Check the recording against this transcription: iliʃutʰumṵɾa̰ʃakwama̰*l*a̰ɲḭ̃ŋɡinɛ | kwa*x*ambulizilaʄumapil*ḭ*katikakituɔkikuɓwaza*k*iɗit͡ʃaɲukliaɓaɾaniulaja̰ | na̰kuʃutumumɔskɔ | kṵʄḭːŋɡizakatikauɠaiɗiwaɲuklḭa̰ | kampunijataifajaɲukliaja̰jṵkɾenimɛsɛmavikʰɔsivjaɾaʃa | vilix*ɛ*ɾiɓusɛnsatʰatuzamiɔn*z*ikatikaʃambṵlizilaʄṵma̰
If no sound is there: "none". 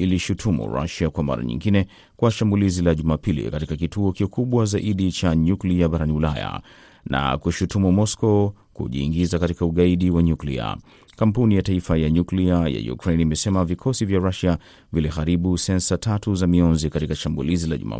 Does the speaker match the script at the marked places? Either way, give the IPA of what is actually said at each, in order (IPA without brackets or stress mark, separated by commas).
ɾ, ʃ, ḭ, ʔ, a, z